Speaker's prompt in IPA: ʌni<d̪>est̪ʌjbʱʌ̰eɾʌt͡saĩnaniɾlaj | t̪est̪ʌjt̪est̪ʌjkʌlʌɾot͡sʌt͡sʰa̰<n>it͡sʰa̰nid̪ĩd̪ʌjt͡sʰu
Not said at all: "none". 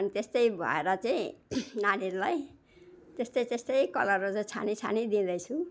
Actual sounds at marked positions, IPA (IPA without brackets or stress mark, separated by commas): t̪, n